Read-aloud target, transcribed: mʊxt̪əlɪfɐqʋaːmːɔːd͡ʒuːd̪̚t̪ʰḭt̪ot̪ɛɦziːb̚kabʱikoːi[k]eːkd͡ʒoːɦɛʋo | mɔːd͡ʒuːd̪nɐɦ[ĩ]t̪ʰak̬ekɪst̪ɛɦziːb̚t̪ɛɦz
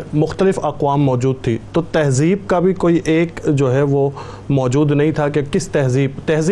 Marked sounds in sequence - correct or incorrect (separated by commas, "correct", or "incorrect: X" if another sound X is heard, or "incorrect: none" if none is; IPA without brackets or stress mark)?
incorrect: ʔ, correct